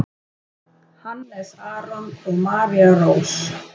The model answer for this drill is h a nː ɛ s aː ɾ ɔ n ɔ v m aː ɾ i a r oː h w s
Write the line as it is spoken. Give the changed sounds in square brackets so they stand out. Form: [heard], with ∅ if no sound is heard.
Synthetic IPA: h a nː ɛ s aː ɾ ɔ n ɔ [ɣ] m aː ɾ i a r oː [∅] w s

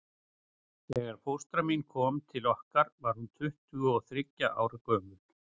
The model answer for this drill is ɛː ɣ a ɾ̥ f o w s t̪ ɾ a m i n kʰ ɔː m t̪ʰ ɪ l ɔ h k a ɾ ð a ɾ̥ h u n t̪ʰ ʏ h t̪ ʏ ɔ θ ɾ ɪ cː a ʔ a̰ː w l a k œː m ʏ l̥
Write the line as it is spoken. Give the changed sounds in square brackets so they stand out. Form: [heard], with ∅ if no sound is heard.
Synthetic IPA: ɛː ɣ a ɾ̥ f o w s t̪ ɾ a m i n kʰ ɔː m t̪ʰ ɪ l ɔ h k a ɾ [v] a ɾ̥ h u n t̪ʰ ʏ h t̪ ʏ ɔ θ ɾ ɪ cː a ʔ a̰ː w [ɾ] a k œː m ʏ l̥

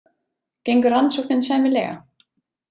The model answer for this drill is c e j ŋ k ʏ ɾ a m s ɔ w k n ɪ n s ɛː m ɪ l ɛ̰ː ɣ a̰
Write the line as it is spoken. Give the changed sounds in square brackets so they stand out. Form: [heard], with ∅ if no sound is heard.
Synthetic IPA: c e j ŋ k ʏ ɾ a [n] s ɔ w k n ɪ n s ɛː m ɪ l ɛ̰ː ɣ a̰

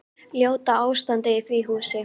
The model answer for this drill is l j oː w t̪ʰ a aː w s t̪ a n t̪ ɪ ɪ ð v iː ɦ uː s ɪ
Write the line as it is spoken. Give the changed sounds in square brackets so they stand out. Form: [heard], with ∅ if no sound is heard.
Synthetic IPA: l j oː w [t̪] a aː w s t̪ a n t̪ ɪ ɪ [θ] v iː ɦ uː s ɪ

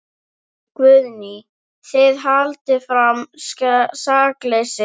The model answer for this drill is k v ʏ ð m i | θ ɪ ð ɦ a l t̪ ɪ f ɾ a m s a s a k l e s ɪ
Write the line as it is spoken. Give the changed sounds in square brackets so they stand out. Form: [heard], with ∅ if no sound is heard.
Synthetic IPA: k v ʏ ð [n] i | θ ɪ ð ɦ a l t̪ ɪ f ɾ a m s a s a k l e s ɪ

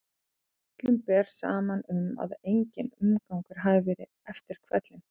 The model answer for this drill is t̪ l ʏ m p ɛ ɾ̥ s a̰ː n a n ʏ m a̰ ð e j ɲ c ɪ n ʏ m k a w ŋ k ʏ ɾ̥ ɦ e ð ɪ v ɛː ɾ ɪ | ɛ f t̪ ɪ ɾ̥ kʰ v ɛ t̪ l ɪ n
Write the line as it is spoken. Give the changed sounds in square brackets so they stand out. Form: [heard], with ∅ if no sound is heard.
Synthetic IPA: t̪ l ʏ m p ɛ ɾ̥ s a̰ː [m] a n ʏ m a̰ ð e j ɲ c ɪ n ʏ m k a w ŋ k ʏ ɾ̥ ɦ [a] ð ɪ v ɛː ɾ ɪ | ɛ f t̪ ɪ ɾ̥ kʰ v ɛ t̪ l ɪ n

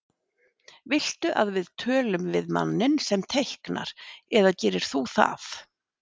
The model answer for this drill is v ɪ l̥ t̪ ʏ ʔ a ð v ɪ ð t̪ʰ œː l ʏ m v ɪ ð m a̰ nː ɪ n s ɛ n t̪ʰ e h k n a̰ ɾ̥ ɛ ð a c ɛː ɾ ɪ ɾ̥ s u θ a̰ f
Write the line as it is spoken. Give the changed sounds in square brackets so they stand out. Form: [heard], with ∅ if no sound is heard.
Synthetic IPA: v ɪ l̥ t̪ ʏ ʔ a ð v ɪ ð t̪ʰ œː l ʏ m v ɪ ð m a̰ nː ɪ n s ɛ [m] t̪ʰ e h k n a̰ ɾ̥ ɛ ð a c ɛː ɾ ɪ ɾ̥ [θ] u θ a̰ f

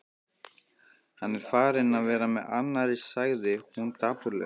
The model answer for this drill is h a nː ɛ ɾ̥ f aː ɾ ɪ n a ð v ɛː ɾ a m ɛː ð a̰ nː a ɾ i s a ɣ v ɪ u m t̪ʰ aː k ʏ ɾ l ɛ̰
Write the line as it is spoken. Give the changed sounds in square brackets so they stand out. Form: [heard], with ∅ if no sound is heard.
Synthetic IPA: h a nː ɛ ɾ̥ f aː ɾ ɪ n a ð v ɛː ɾ a m [ɛ] ð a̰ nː a ɾ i s a ɣ [ð] ɪ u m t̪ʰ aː [p] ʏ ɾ l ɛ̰

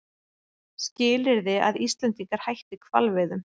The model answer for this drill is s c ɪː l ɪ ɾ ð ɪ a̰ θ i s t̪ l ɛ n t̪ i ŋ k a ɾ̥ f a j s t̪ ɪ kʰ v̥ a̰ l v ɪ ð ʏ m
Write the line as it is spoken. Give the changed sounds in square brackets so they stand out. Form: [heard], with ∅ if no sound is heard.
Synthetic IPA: s c ɪː l ɪ ɾ ð ɪ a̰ [ð] i s t̪ l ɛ n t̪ i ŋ k a ɾ̥ [h] a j [h] t̪ ɪ kʰ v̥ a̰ l v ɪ ð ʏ m

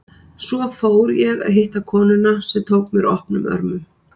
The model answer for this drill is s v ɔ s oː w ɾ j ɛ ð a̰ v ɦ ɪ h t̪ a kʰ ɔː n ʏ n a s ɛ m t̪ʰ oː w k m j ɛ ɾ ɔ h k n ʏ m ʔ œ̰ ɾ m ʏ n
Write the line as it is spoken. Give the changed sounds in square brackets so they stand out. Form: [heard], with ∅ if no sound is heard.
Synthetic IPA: s v ɔ [f] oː w ɾ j ɛ [ɣ] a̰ [ð] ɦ ɪ h t̪ a kʰ ɔː n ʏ n a s ɛ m t̪ʰ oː w k m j ɛ ɾ ɔ h [p] n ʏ m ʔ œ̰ ɾ m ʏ [m]

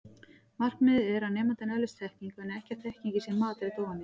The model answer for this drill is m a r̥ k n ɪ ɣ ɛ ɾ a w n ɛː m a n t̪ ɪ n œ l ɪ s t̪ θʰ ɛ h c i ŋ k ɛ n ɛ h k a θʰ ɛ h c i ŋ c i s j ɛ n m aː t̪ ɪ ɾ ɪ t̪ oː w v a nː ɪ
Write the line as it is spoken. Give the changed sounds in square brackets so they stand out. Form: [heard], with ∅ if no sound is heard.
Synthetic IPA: m a r̥ k n ɪ [ð] ɛ ɾ a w n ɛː m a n t̪ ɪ n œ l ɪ s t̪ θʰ ɛ h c i ŋ k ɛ n ɛ h [c] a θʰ ɛ h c i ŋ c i s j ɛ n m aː t̪ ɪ ɾ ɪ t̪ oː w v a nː ɪ

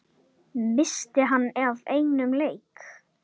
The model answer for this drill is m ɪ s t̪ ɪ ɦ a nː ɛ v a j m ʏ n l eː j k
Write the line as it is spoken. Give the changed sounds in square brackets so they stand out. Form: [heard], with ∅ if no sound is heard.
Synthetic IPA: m ɪ s t̪ ɪ ɦ a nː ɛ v [e] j [n] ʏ [m] l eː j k

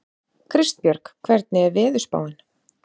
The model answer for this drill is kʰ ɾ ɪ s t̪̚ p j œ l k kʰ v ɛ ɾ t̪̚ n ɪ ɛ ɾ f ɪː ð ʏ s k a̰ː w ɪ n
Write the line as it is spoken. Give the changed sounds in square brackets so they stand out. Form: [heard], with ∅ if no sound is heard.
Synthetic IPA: kʰ ɾ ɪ s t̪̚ p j œ [ɾ] k kʰ v ɛ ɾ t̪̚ n ɪ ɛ ɾ [v] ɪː ð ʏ s [p] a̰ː w ɪ n

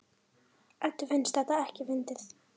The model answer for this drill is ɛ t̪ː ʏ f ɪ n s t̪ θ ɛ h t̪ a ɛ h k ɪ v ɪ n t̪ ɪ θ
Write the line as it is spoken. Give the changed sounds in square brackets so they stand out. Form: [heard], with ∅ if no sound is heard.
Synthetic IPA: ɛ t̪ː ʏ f ɪ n s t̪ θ ɛ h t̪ a ɛ h [c] ɪ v ɪ n t̪ ɪ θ

